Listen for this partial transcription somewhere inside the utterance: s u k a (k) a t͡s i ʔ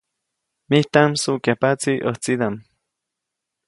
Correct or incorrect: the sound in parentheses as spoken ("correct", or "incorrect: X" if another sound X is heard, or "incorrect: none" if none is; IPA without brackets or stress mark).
incorrect: p